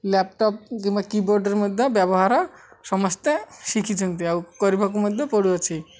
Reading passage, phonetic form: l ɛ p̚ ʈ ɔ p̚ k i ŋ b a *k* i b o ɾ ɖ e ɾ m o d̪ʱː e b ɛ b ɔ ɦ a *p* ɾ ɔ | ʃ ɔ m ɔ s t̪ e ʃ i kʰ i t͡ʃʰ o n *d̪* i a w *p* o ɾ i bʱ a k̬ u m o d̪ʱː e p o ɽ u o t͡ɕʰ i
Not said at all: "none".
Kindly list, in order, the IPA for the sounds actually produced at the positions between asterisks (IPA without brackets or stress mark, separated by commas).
k, none, t̪, k